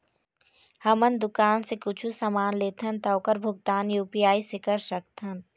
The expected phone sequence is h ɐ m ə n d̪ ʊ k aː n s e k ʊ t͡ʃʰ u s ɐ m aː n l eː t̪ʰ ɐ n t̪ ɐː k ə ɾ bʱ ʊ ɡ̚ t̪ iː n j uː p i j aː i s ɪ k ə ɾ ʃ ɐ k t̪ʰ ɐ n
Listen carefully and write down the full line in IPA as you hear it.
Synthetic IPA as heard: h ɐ m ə n d̪ ʊ k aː n s e k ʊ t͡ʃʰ u s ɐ m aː n l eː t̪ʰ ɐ n t̪ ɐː k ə ɾ bʱ ʊ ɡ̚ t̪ aː n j uː p i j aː i s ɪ k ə ɾ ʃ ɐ k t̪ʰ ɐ n